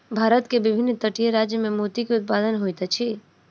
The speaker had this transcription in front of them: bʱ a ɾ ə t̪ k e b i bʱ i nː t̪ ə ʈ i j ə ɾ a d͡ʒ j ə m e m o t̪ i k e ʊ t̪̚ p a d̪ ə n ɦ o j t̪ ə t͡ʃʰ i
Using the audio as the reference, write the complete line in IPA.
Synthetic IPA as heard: bʱ a ɾ ə t̪ k e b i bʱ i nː t̪ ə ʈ i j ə ɾ a d͡ʒ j ə m e m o t̪ i k e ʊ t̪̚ p a d̪ ə n ɦ o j t̪ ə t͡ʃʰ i